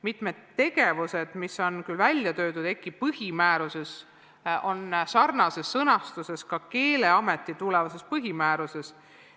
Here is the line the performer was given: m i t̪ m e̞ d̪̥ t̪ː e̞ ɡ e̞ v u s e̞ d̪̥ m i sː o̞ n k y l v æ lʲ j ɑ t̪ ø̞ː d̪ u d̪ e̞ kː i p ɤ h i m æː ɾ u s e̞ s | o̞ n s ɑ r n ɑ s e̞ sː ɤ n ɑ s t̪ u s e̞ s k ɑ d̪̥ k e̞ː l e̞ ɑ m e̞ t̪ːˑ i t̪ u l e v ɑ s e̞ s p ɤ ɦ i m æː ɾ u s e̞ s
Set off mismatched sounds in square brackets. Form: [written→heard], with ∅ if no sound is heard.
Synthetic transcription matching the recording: m i t̪ m e̞ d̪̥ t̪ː e̞ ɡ e̞ v u s e̞ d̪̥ m i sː o̞ n k y l v æ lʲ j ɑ t̪ ø̞ː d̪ u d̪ e̞ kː i p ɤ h i m æː ɾ u s e̞ s | o̞ n s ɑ r n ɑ s e̞ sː ɤ n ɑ s t̪ u s e̞ s k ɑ [d̪̥→∅] k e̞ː l e̞ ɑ m e̞ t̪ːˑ i t̪ u l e v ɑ s e̞ s p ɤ ɦ i m æː ɾ u s e̞ s